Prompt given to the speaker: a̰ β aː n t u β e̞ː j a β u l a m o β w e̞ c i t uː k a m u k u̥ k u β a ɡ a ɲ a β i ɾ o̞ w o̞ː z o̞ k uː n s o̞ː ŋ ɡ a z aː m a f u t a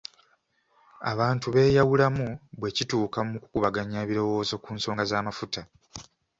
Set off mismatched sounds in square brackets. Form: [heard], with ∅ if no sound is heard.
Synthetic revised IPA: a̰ β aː n t u β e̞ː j a [w] u l a m [u] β w e̞ c i t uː k a m u k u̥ k u β a ɡ a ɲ a β i ɾ o̞ w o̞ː z o̞ k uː n s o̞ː ŋ ɡ a z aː m a f u t a